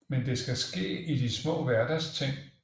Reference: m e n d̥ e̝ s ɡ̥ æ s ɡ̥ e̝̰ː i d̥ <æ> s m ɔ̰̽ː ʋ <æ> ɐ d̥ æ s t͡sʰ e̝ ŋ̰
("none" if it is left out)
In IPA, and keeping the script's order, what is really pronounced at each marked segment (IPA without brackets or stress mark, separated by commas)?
i, æ